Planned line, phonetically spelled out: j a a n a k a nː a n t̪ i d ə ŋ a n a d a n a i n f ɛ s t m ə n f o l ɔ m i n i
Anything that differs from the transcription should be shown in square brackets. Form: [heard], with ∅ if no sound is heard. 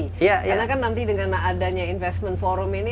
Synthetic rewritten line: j a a n a k a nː a n t̪ i d ə ŋ a n a d a [ɲ] a i n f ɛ s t m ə n f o [ɾ] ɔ m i n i

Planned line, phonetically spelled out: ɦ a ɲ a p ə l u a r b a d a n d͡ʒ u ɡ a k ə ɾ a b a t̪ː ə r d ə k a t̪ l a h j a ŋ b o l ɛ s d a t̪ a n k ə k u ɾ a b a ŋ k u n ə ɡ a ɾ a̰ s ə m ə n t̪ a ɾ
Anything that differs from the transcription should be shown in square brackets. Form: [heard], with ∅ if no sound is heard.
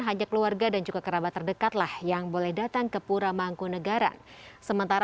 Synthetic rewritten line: ɦ a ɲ a [k] ə l u a r [ɡ] a d a n d͡ʒ u ɡ a k ə ɾ a b a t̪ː ə r d ə k a t̪ l a h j a ŋ b o l ɛ [h] d a t̪ a [ŋ] k ə [p] u ɾ a [m] a ŋ k u n ə ɡ a ɾ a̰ s ə m ə n t̪ a ɾ

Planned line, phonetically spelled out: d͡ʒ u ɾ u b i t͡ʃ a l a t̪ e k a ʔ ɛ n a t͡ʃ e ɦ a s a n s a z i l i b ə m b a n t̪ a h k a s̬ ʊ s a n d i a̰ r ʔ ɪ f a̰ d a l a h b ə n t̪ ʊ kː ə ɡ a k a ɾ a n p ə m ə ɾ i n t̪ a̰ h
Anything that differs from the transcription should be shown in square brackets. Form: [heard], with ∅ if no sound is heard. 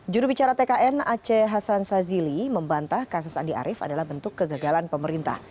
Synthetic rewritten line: d͡ʒ u ɾ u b i t͡ʃ a [ɾ] a t̪ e k a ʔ ɛ n a t͡ʃ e ɦ a s a n s a z i l i [m] ə m b a n t̪ a h k a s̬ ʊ s a n d i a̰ [ɾ] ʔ ɪ f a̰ d a l a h b ə n t̪ ʊ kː ə ɡ a [ɡ] a [l] a n p ə m ə ɾ i n t̪ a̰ h

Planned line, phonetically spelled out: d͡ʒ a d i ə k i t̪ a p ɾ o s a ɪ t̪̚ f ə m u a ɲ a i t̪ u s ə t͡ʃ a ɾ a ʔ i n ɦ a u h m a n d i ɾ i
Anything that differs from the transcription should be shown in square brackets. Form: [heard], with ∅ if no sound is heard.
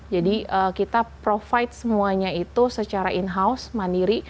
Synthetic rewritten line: d͡ʒ a d i ə k i t̪ a p ɾ o [f] a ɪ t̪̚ [s] ə m u a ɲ a i t̪ u s ə t͡ʃ a ɾ a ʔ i n ɦ a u [s] m a n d i ɾ i

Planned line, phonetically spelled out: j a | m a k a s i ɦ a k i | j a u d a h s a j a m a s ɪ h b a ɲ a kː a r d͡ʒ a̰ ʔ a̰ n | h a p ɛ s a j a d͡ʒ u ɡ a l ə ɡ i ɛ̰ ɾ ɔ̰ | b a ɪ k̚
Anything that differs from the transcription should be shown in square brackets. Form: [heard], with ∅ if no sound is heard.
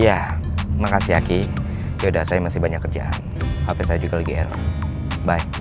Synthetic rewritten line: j a | m a k a s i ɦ a k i | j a u d a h s a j a m a s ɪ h b a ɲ a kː [ə] r d͡ʒ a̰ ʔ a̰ n | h a p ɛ s a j a d͡ʒ u ɡ a l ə ɡ i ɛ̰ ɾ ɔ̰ | b a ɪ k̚

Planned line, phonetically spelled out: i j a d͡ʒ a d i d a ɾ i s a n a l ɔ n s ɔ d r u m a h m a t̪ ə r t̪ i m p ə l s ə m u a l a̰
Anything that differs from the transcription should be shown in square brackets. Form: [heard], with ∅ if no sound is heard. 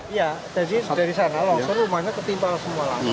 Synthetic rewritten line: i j a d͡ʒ a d i d a ɾ i s a n a l ɔ [ŋ] s ɔ [n] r u m a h [ɲ] a t̪ ə r t̪ i m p [a] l s ə m u a l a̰

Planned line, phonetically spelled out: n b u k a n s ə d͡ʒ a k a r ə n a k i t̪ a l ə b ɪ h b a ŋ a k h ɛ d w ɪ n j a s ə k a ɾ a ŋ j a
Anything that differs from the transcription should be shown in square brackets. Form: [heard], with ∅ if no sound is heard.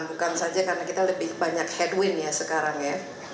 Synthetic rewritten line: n b u k a n s [a] d͡ʒ a k a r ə n a k i t̪ a l ə b ɪ h b a [ɲ] a k h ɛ d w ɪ n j a s ə k a ɾ a ŋ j a

